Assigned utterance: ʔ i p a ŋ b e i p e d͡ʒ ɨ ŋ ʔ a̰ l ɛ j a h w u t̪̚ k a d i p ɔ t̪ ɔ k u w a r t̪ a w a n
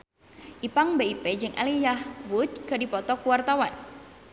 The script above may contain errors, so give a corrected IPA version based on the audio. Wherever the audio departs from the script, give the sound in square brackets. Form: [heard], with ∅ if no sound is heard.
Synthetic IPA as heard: ʔ i p a ŋ b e i p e d͡ʒ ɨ ŋ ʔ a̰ l [i] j a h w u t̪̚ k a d i p ɔ t̪ ɔ k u w a r t̪ a w a n